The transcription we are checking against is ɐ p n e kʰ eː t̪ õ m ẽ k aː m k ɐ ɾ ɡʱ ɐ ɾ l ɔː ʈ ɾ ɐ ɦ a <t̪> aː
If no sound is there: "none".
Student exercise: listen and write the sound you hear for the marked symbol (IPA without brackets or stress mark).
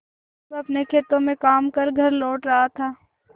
t̪ʰ